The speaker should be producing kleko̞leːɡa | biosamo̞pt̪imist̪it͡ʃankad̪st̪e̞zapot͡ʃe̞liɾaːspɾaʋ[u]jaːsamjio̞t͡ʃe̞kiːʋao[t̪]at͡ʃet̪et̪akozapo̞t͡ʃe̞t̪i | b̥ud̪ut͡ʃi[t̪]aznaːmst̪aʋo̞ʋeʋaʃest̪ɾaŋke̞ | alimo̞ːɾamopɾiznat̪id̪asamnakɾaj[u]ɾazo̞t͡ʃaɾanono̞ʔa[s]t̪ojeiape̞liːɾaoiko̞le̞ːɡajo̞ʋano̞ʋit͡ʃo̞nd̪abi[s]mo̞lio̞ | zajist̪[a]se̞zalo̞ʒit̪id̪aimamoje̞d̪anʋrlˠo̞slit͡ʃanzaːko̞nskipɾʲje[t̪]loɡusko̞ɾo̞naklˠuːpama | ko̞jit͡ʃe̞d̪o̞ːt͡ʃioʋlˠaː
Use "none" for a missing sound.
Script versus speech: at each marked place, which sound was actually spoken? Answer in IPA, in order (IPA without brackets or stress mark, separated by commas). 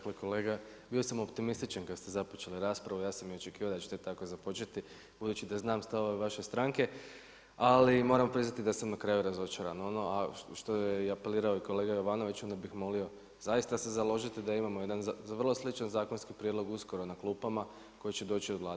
u, d̪, d̪, u, ʃ, x, a, d̪